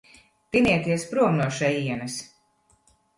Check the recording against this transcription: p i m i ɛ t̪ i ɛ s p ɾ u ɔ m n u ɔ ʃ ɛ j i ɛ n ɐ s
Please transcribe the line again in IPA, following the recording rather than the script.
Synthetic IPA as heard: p i n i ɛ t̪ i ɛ s p ɾ u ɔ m n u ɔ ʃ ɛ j i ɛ n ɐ s

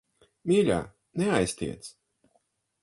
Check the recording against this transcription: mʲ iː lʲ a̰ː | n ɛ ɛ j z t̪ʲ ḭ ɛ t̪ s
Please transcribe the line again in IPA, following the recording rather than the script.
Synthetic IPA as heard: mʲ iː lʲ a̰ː | n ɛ a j s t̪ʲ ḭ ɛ t̪ s

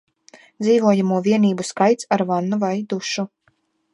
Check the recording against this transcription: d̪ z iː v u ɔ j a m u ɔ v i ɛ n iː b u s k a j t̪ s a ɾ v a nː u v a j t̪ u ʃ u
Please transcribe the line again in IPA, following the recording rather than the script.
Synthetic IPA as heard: d̪ z iː v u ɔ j a m u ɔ v i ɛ n iː b u s k a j t̪ s a ɾ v a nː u v a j d̪ u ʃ u

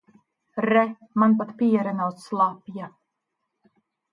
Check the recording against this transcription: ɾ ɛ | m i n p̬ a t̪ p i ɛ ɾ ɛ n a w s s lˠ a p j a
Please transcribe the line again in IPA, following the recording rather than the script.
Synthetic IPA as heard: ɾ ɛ | m a n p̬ a t̪ p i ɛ ɾ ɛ n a w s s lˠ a p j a

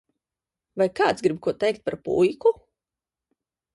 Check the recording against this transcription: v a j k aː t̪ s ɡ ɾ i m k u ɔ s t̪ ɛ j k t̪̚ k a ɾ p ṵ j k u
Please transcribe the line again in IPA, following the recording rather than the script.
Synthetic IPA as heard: v a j k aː t̪ s ɡ ɾ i b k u ɔ t̪ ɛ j k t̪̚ p a ɾ p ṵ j k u

